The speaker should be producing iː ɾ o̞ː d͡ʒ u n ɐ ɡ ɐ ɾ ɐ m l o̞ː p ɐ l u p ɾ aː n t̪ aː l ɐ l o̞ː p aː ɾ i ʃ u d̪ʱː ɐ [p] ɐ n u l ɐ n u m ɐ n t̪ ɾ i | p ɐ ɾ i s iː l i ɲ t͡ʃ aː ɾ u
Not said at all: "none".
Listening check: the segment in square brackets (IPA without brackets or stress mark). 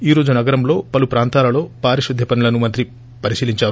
p